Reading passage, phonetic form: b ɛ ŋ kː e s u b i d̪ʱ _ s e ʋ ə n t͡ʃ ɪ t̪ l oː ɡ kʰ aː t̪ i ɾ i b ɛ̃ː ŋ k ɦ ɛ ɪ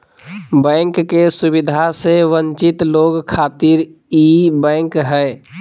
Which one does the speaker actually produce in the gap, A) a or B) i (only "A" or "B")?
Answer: A